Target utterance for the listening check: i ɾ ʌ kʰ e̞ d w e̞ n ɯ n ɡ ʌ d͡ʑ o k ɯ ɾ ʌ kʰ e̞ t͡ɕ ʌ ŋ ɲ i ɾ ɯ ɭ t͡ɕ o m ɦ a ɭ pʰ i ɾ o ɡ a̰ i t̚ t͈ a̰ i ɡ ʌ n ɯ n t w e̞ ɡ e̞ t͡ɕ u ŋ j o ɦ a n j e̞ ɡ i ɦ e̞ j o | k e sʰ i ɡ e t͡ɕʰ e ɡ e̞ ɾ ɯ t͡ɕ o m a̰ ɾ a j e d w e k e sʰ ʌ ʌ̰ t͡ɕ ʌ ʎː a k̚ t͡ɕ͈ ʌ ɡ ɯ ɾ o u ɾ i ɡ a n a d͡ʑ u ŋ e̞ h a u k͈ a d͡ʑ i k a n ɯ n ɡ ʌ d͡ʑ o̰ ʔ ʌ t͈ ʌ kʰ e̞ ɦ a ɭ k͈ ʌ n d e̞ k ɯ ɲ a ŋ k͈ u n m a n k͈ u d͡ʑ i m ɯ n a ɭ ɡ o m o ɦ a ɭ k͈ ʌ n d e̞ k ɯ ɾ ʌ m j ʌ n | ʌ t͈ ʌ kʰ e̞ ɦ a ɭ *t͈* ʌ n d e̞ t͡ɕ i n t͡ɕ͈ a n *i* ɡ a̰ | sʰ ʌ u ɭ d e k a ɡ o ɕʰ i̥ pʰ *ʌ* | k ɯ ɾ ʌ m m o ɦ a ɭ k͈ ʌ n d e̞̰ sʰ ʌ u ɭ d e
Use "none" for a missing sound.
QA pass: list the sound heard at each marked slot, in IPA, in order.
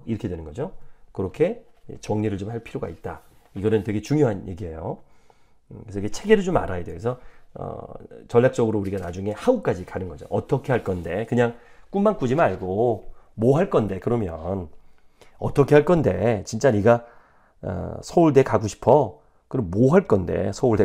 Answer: k͈, i, ʌ

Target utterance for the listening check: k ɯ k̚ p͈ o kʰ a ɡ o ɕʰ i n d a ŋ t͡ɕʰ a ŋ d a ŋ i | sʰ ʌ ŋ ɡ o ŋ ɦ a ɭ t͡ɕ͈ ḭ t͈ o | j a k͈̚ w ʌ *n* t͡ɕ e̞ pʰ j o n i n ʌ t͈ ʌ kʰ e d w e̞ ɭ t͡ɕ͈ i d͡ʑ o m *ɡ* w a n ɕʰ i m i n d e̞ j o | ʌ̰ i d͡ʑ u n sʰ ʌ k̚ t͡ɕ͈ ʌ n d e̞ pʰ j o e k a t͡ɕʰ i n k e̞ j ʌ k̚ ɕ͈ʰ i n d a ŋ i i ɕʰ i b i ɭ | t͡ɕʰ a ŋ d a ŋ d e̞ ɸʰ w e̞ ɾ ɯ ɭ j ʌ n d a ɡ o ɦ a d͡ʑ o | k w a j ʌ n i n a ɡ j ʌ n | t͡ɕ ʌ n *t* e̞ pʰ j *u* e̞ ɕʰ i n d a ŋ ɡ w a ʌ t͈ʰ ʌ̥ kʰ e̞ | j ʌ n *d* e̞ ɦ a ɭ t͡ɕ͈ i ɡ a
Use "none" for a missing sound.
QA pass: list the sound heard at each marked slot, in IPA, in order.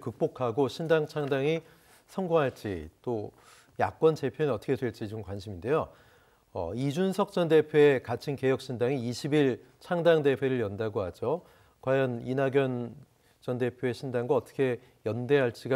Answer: n, k, d, o, d

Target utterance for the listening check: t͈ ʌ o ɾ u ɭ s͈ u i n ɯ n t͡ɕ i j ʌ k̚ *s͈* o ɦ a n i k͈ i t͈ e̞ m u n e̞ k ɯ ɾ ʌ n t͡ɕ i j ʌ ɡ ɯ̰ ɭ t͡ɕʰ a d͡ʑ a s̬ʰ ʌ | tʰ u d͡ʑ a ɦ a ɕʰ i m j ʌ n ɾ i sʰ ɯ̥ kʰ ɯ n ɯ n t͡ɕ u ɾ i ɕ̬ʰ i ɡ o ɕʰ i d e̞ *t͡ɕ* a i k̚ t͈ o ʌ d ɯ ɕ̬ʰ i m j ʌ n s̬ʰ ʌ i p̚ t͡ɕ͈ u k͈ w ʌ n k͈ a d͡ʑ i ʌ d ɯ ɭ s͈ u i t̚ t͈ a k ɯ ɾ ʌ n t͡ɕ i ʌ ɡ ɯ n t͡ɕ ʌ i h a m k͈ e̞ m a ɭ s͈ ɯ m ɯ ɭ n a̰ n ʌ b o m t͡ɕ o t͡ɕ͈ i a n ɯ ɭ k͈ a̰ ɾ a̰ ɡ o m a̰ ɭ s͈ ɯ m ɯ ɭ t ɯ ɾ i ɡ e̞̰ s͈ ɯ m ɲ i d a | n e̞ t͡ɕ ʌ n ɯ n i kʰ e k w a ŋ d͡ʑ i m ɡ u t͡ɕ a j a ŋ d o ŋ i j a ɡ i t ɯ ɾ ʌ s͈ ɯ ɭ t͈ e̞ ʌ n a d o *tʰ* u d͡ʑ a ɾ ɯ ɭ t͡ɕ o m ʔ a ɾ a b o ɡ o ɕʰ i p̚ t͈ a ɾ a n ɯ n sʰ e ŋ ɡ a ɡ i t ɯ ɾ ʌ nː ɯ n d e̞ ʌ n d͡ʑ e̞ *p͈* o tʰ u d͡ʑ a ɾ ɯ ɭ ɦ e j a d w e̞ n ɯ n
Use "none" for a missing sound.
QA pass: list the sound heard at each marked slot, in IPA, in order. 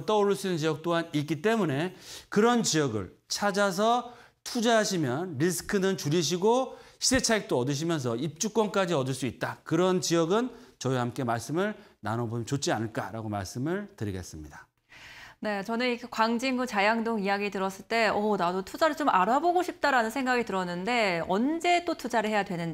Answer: t͈, t͡ɕʰ, tʰ, t͈

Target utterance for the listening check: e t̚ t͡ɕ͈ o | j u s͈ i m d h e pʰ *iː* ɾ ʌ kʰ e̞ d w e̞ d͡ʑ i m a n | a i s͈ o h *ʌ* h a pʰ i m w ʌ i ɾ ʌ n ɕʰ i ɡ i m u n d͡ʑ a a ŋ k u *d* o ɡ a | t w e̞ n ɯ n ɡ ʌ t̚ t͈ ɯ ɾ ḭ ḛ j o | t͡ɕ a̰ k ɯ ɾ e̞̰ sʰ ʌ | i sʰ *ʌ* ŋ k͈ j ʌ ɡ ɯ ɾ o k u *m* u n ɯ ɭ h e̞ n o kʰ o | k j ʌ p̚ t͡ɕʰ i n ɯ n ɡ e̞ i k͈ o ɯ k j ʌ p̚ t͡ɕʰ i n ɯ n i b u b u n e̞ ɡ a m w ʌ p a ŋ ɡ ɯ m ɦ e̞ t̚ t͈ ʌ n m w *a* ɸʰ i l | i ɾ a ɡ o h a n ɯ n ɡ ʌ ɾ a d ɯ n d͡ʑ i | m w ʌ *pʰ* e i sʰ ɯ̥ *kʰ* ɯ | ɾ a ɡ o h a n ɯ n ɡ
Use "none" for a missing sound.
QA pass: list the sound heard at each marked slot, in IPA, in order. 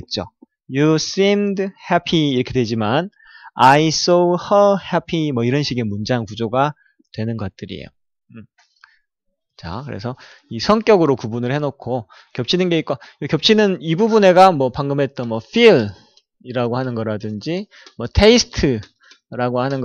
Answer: iː, ʌ, d͡ʑ, ʌ, b, ʌ, tʰ, tʰ

